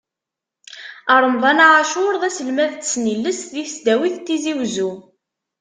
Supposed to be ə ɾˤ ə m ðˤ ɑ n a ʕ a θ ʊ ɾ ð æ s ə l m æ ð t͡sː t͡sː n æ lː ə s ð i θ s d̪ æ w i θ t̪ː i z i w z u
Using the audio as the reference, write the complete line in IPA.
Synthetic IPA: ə ɾˤ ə m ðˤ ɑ n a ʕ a ʃ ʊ ɾ ð æ s ə l m æ ð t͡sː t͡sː n i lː ə s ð i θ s d̪ æ w i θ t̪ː i z i w z u